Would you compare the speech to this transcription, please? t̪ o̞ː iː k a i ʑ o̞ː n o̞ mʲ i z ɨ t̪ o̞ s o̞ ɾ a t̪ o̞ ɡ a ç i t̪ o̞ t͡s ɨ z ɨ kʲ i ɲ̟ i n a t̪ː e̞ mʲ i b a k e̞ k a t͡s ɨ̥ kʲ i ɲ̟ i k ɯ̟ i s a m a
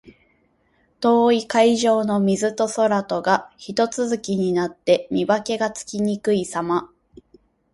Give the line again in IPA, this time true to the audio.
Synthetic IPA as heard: t̪ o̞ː i k a i ʑ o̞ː n o̞ mʲ i z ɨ t̪ o̞ s o̞ ɾ a t̪ o̞ ɡ a ç i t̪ o̞ t͡s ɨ z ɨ kʲ i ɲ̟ i n a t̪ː e̞ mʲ i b a k e̞ ɡ a t͡s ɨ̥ kʲ i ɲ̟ i k ɯ̟ i s a m a